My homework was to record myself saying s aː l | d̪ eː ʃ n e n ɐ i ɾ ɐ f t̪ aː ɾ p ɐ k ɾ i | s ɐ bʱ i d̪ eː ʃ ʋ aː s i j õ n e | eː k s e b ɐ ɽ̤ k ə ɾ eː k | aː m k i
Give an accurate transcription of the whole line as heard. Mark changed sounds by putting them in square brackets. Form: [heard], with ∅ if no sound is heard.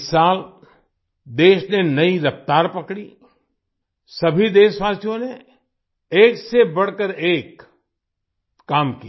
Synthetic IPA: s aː l | d̪ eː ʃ n e n ɐ i ɾ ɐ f t̪ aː ɾ p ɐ k [ɽ] i | s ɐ bʱ i d̪ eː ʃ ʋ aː s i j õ n e | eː k s e b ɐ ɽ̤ k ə ɾ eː k | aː m k i